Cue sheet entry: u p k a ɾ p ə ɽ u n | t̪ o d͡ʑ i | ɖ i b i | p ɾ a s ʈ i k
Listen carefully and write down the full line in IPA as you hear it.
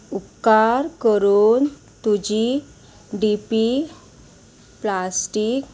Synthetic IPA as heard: u p k a ɾ k ə ɾ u n | t̪ u d͡ʑ i | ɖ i p i | p l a s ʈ i k